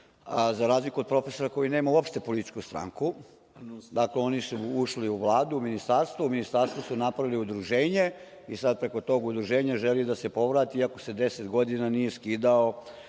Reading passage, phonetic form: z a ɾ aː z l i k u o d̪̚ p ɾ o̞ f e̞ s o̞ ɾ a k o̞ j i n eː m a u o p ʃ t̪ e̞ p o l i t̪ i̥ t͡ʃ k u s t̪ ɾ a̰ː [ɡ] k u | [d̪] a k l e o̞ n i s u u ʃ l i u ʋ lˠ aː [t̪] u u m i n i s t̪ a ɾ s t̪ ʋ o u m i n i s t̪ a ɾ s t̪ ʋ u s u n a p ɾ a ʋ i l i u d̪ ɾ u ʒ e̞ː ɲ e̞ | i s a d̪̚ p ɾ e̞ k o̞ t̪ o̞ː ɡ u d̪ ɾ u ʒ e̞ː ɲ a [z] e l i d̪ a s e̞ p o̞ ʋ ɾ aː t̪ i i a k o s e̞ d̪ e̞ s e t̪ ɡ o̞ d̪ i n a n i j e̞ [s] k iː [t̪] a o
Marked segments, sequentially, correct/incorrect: incorrect: ŋ, correct, incorrect: d̪, incorrect: ʒ, correct, incorrect: d̪

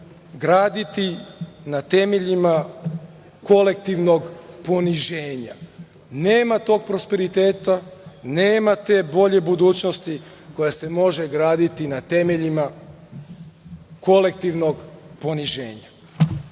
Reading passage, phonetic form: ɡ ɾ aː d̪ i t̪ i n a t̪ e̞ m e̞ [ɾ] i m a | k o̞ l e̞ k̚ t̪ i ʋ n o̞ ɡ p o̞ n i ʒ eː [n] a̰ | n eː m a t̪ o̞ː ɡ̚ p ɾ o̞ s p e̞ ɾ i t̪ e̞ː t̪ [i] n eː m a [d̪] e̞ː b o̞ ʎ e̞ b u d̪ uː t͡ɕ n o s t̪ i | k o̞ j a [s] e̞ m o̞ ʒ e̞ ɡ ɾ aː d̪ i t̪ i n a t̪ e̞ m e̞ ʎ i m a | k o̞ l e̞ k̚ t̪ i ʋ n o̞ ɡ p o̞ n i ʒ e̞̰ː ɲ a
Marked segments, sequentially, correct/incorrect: incorrect: ʎ, incorrect: ɲ, incorrect: a, incorrect: t̪, correct

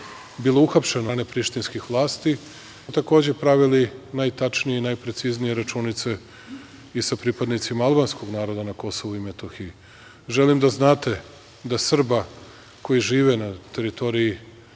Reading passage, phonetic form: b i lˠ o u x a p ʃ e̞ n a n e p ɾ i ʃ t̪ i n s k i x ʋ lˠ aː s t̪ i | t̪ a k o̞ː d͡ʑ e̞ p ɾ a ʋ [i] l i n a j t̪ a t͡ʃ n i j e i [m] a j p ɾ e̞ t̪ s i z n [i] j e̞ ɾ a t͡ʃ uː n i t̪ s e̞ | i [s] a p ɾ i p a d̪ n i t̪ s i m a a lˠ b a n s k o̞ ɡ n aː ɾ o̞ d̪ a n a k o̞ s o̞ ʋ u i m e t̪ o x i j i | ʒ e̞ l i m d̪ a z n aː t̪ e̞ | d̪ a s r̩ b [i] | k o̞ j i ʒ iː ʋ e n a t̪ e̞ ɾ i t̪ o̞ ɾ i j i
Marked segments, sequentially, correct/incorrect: correct, incorrect: n, correct, correct, incorrect: a

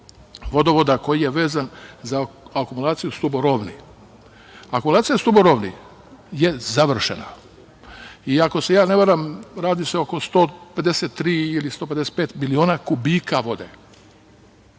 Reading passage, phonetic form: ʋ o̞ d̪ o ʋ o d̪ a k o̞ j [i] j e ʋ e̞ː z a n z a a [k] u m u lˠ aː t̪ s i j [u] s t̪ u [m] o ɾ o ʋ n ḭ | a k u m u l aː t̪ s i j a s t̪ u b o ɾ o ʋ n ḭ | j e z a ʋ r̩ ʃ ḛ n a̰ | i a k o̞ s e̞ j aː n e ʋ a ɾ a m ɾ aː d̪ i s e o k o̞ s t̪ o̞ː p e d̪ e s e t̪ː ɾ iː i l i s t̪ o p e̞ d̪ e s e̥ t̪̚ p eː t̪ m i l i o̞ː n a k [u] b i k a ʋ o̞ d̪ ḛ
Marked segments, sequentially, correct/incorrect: correct, correct, correct, incorrect: b, correct

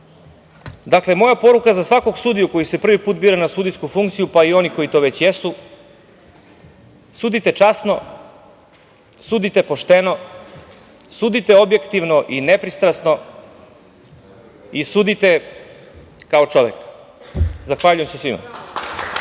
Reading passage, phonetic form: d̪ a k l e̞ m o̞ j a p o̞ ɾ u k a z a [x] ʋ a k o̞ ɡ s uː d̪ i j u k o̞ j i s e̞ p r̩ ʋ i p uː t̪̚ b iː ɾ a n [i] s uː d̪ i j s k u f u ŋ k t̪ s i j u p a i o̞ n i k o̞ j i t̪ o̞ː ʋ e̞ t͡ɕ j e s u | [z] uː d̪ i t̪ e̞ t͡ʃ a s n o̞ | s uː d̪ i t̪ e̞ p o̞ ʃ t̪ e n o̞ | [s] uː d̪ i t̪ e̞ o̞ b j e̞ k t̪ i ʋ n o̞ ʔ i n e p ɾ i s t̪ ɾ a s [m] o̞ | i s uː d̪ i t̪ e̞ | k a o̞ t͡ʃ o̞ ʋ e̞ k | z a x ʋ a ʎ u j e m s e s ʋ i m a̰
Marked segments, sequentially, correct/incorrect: incorrect: s, incorrect: a, incorrect: s, correct, incorrect: n

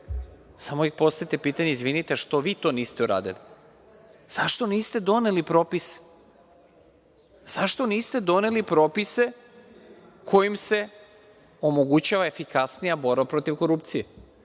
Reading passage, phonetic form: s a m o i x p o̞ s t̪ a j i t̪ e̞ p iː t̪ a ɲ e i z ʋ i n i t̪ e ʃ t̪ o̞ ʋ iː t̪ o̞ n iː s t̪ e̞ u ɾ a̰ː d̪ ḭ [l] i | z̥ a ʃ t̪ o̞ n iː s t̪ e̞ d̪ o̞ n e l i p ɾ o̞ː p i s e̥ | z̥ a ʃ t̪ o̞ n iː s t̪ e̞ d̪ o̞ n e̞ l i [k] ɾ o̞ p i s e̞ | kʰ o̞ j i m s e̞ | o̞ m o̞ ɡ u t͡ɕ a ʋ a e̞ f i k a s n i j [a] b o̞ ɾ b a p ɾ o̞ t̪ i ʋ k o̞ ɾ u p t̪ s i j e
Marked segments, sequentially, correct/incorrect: correct, incorrect: p, correct

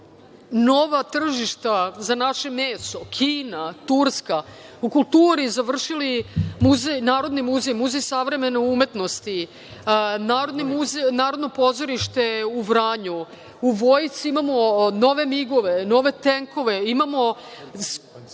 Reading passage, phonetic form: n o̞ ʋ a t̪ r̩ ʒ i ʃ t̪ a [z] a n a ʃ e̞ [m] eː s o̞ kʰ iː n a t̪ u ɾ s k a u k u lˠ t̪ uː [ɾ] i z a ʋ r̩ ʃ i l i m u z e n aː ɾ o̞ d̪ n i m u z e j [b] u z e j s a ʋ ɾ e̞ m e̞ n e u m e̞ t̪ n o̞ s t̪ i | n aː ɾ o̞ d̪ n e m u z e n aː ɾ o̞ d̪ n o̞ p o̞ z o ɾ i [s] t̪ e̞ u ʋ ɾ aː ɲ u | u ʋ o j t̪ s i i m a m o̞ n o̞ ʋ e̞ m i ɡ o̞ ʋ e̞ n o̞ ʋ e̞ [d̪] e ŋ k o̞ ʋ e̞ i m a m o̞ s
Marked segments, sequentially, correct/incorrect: correct, correct, correct, incorrect: m, incorrect: ʃ, incorrect: t̪

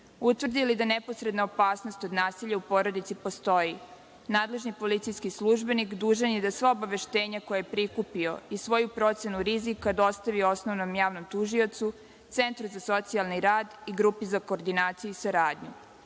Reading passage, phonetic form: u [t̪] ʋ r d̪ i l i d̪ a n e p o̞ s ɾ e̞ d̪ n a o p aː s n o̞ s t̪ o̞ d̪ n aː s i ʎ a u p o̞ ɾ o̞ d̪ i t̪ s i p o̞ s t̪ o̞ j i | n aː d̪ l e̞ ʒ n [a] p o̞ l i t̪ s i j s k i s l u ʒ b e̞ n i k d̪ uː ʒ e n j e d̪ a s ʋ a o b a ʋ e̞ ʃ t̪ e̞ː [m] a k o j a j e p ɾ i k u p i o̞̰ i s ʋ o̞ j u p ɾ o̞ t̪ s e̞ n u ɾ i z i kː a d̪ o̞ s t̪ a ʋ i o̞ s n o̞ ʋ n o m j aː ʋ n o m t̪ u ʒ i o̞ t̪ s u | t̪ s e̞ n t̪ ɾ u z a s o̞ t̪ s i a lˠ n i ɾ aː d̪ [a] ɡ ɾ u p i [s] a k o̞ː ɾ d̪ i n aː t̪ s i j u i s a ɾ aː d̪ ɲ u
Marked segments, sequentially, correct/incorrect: correct, incorrect: i, incorrect: ɲ, incorrect: i, incorrect: z

